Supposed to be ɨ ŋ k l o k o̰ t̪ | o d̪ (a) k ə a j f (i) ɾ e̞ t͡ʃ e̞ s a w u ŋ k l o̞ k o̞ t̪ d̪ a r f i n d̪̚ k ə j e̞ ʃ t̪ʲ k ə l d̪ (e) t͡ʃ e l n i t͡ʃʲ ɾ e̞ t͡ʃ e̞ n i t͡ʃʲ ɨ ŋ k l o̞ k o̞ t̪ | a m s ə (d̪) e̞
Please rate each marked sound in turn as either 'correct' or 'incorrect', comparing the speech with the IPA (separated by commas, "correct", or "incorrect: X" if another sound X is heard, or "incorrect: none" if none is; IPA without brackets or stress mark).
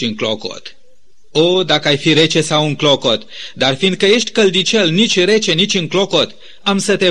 correct, correct, incorrect: i, incorrect: t̪